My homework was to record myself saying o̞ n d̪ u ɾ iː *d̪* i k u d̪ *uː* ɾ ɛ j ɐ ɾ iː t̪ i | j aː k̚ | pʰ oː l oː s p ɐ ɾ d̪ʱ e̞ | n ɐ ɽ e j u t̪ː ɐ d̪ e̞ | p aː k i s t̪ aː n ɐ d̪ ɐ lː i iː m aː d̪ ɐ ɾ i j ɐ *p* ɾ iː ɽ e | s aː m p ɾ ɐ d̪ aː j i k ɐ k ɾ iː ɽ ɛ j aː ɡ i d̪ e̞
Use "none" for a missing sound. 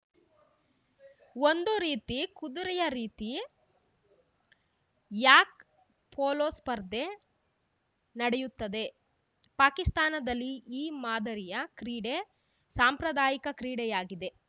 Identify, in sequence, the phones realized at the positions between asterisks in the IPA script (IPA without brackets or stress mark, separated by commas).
t̪, u, k